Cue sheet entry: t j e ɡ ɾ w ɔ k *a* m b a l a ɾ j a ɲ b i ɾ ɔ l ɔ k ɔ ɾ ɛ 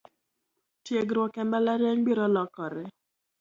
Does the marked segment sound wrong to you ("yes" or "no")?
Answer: yes